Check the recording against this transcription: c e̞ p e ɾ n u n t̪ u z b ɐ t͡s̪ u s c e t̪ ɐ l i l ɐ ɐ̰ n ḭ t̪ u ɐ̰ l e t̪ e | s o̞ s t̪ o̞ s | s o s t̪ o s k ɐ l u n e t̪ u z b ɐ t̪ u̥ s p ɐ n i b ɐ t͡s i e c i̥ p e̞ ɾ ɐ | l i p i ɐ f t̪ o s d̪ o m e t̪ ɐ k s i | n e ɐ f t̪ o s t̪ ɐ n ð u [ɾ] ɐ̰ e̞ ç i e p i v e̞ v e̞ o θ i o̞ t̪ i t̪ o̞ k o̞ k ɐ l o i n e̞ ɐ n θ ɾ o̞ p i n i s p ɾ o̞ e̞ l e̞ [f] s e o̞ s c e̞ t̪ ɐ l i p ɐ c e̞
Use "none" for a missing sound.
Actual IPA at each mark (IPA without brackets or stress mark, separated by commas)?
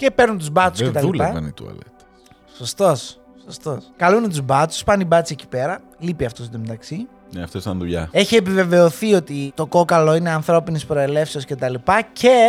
ʎ, f